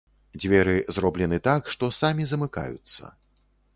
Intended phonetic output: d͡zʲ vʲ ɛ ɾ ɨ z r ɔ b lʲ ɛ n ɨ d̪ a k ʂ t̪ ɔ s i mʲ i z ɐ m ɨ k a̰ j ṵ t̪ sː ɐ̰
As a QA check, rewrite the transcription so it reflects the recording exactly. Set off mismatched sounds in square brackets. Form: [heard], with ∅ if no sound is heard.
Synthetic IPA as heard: d͡zʲ vʲ ɛ ɾ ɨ z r ɔ b lʲ ɛ n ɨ [t̪] a k ʂ t̪ ɔ s [a] mʲ i z ɐ m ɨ k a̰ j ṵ t̪ sː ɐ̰